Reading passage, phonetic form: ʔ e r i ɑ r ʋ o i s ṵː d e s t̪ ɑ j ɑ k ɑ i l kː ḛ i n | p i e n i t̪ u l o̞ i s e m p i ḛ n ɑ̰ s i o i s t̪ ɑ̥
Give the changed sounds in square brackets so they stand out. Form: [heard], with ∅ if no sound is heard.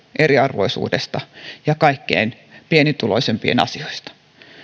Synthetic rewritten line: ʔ e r i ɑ r ʋ o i s ṵː d e s t̪ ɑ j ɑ k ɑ i [∅] kː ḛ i n | p i e n i t̪ u l o̞ i s e m p i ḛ n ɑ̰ s i o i s t̪ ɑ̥